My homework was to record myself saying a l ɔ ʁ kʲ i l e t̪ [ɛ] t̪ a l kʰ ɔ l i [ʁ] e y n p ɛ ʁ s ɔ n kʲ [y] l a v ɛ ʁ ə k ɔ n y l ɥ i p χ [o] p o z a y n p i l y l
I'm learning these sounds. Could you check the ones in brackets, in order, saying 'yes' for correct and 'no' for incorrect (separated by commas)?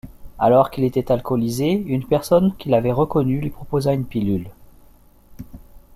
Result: yes, no, no, no